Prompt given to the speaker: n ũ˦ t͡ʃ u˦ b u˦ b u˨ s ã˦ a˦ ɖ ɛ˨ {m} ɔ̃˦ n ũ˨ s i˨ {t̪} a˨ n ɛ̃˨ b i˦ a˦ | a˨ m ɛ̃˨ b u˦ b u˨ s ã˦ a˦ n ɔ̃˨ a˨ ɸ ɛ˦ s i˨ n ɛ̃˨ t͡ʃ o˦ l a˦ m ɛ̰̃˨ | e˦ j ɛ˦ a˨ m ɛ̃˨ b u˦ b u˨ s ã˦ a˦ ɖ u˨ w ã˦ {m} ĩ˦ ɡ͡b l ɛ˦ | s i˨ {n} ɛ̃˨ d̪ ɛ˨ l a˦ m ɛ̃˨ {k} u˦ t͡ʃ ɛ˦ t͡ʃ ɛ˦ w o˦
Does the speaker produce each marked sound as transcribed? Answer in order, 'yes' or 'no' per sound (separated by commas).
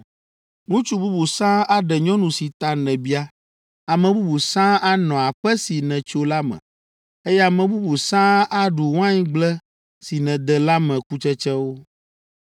no, yes, no, yes, yes